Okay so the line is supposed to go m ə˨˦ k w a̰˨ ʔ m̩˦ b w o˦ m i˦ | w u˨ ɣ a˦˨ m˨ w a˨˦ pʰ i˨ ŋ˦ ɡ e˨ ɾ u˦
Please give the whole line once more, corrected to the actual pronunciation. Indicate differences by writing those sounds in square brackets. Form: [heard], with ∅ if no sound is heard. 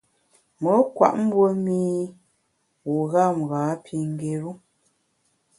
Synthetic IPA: m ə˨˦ k w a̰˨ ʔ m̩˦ b w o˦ m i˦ | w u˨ ɣ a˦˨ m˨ [ɣ] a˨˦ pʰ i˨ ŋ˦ ɡ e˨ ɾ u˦